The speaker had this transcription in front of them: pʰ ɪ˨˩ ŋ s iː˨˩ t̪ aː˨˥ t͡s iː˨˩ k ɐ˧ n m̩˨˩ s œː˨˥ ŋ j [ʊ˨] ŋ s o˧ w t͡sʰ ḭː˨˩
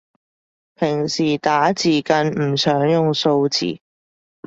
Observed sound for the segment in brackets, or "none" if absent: ʊ˨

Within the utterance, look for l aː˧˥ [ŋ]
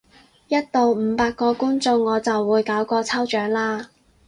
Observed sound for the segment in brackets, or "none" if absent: none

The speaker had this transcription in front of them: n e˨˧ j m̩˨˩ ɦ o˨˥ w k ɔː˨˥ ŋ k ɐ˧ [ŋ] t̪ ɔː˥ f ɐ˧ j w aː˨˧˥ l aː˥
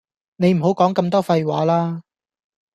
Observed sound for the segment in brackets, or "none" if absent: m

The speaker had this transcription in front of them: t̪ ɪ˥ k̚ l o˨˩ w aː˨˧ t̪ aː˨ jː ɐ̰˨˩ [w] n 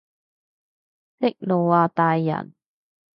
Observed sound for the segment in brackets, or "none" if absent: none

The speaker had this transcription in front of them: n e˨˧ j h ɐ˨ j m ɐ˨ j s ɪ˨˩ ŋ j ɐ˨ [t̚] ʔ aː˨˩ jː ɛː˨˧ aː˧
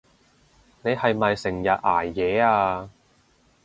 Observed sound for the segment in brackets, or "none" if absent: t̚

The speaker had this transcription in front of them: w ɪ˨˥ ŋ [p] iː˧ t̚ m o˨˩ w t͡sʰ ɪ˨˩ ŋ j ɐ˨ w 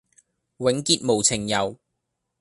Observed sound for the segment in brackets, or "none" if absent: k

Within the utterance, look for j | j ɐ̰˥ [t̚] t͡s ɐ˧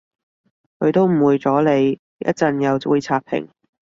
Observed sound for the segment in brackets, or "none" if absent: t̚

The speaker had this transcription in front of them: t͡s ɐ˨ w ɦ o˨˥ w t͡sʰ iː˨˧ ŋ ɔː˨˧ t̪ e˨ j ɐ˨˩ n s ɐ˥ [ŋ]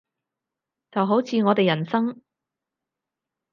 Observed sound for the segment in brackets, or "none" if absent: ŋ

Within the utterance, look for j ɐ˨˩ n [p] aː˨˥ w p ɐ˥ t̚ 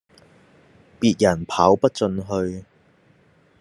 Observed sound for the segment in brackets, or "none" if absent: pʰ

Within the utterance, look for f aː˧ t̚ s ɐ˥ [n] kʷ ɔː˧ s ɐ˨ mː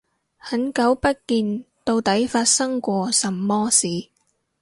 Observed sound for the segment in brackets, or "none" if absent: ŋ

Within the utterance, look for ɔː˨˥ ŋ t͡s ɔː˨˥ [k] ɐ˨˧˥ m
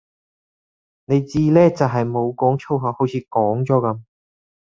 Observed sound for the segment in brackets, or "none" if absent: k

